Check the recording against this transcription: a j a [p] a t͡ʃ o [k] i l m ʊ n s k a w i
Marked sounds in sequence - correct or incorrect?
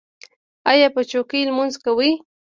correct, correct

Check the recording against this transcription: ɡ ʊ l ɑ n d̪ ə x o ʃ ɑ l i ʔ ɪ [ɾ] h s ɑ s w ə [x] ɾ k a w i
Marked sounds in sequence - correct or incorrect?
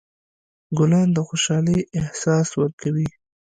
incorrect, incorrect

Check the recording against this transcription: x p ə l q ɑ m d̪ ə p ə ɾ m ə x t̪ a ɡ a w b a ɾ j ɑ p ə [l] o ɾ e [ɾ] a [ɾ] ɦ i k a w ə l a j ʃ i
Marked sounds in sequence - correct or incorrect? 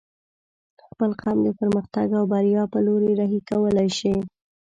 correct, correct, incorrect

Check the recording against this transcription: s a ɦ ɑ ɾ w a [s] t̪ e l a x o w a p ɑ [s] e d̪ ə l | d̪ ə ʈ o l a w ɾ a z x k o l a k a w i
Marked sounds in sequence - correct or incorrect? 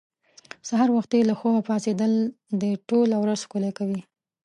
incorrect, correct

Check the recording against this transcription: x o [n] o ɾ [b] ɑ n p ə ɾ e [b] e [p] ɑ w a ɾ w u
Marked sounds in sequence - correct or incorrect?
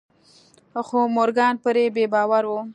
incorrect, incorrect, correct, incorrect

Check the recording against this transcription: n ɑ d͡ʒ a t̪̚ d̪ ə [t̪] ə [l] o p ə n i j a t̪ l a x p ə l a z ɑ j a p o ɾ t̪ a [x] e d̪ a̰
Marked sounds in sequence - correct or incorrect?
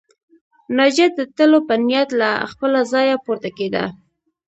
correct, correct, incorrect

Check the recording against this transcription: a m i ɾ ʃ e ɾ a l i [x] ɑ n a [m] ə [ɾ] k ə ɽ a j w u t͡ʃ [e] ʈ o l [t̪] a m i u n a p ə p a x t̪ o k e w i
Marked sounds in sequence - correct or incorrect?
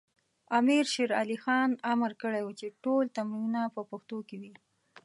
correct, correct, correct, correct, correct

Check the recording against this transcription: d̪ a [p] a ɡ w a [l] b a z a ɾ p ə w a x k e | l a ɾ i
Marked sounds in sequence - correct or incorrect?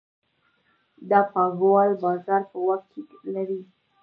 correct, correct

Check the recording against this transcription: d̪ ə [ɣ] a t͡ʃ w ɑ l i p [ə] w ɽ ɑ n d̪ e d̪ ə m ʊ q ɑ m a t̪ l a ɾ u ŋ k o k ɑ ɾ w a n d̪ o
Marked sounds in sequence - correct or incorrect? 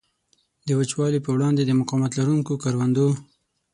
incorrect, correct

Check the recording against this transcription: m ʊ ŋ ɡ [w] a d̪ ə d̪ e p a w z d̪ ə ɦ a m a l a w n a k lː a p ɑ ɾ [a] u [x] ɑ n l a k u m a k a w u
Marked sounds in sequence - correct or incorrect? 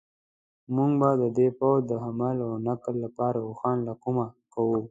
incorrect, correct, correct

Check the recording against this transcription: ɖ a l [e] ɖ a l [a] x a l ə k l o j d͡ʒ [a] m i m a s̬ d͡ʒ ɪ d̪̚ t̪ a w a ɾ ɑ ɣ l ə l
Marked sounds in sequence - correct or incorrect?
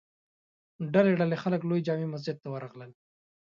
correct, incorrect, incorrect

